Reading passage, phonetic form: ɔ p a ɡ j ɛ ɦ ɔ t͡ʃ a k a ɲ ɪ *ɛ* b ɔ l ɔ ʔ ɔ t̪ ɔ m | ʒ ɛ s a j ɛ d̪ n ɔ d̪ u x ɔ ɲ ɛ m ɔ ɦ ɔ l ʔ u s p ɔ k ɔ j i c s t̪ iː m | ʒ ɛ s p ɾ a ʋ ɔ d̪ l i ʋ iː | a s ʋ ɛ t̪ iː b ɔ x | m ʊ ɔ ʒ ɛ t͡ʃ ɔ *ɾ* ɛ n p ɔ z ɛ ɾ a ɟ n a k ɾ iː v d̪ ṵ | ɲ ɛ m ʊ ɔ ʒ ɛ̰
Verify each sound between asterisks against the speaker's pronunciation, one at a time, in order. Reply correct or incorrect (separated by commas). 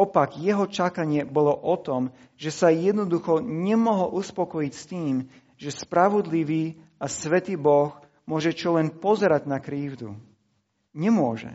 correct, incorrect